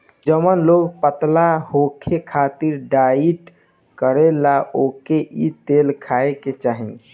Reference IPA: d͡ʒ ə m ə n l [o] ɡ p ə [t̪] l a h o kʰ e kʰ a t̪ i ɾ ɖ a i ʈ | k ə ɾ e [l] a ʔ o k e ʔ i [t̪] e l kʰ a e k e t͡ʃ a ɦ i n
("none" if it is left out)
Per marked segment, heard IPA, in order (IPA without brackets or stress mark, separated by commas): o, t̪, l, t̪